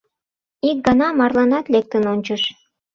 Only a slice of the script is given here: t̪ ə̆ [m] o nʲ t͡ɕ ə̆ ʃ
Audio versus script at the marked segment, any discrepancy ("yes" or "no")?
yes